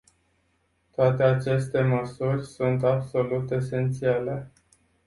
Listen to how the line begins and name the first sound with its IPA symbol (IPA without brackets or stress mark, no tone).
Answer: t̪